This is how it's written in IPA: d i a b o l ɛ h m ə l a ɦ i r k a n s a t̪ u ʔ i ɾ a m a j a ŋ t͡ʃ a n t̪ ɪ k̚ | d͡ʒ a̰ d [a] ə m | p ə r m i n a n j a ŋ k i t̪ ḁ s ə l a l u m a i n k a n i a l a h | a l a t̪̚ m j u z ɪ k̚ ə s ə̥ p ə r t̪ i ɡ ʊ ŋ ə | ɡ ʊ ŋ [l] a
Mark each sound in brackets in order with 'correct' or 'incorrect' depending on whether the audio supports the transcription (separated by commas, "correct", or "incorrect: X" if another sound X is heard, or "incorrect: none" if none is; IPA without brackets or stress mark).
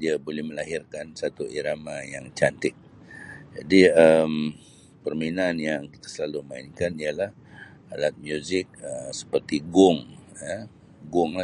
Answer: incorrect: i, correct